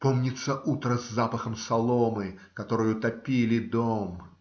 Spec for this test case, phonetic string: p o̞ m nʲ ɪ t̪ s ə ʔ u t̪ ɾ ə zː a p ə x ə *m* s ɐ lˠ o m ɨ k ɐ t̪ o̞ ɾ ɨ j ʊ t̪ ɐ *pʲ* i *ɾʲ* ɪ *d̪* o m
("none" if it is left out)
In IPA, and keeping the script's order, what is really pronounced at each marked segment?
m, pʲ, lʲ, d̪

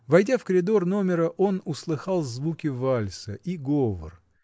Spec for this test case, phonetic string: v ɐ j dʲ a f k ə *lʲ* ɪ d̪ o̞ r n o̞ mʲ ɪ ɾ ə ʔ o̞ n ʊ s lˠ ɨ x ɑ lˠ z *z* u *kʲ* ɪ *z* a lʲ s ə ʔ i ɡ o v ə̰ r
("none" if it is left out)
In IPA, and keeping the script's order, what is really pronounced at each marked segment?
ɾʲ, v, kʲ, v

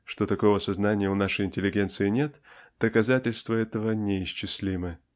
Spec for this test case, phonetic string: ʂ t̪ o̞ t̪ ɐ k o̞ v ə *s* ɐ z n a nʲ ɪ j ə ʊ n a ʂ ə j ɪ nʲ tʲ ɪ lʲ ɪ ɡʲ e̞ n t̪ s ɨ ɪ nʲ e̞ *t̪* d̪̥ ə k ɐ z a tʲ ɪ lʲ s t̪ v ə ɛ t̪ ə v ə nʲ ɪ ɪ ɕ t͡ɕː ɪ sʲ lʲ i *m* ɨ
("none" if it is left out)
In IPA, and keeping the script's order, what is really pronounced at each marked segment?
s, t̪, m

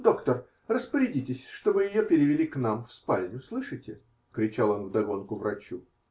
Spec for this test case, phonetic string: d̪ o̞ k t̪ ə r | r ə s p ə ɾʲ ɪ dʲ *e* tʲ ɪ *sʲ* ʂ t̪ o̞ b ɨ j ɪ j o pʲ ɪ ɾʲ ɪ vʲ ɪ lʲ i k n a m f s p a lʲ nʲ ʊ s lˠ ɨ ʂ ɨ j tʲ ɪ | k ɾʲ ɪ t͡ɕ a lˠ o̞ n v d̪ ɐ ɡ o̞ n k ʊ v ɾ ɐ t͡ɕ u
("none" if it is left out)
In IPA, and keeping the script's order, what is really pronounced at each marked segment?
i, sʲ

